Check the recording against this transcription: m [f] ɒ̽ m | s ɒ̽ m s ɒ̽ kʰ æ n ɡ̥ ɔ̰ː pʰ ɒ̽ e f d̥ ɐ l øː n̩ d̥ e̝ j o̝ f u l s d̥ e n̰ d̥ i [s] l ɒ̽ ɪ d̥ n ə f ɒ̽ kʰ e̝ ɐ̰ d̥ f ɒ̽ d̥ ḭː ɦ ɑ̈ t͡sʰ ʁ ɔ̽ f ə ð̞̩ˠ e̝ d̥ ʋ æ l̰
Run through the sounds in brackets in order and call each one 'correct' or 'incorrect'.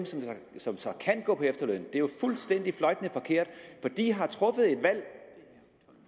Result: incorrect: s, incorrect: f

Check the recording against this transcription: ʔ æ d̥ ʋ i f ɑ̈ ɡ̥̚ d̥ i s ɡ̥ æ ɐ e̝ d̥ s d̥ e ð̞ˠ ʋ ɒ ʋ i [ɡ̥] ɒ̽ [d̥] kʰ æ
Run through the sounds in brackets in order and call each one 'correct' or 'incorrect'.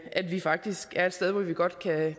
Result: correct, correct

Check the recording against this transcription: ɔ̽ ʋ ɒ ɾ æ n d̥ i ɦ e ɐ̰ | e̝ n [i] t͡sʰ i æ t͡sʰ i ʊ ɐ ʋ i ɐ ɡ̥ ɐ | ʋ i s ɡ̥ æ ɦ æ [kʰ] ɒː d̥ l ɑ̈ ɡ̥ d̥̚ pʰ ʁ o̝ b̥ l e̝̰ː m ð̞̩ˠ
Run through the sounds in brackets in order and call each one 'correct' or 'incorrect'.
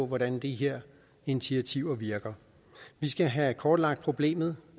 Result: correct, correct

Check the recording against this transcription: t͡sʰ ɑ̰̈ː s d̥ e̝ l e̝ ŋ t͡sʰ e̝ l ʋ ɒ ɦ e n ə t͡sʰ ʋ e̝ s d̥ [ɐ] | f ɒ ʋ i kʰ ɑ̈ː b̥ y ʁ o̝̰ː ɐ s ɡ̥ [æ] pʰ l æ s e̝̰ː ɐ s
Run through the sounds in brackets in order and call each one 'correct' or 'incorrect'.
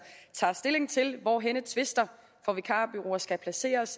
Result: correct, correct

